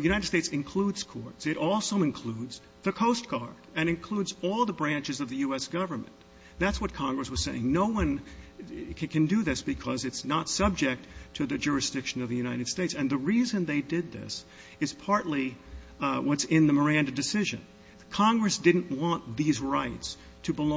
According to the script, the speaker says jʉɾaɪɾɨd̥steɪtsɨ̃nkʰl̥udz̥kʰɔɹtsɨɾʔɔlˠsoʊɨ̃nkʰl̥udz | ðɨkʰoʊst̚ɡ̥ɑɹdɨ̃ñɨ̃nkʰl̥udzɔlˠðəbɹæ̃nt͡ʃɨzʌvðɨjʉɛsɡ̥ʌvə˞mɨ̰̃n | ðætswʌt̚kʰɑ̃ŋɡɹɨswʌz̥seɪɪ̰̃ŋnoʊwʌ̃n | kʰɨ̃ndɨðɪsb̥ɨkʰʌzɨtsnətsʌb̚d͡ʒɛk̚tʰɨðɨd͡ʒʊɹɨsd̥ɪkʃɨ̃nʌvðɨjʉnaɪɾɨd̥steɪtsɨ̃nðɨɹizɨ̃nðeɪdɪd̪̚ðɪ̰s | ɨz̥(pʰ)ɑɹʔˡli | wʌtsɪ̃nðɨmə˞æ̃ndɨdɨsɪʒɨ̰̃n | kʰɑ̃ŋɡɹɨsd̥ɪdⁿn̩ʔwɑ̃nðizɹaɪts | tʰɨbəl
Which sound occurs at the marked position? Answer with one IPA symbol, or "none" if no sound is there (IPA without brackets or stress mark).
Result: pʰ